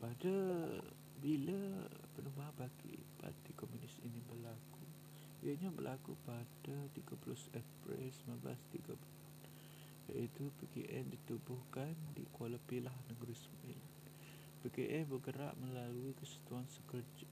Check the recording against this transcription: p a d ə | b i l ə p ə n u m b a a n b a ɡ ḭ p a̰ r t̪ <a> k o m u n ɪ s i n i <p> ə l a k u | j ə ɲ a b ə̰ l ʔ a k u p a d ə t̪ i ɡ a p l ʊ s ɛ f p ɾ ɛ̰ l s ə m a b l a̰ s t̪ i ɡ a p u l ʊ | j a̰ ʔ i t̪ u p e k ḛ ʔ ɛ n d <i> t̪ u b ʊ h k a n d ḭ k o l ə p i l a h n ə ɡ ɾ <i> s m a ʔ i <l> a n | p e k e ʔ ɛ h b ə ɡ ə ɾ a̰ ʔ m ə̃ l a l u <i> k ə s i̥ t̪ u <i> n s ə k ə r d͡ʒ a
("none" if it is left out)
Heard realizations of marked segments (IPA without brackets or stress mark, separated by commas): i, b, i, i, l, i, a